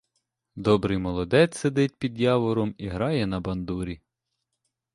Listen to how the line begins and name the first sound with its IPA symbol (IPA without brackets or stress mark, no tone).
d̪